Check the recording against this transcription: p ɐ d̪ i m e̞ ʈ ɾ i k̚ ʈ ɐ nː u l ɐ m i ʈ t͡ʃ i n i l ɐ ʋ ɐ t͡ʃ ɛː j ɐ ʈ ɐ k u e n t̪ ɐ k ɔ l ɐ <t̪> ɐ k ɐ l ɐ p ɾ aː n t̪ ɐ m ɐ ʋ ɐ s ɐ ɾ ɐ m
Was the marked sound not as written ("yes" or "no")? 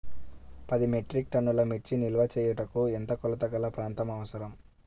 no